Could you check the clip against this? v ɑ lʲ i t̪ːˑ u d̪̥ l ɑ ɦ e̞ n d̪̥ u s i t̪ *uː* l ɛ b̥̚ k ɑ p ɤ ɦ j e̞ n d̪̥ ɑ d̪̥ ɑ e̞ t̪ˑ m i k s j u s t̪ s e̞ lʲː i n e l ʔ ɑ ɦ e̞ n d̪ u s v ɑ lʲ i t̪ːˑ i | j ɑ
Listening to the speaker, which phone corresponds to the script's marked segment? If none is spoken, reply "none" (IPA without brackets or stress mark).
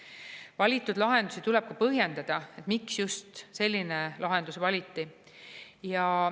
u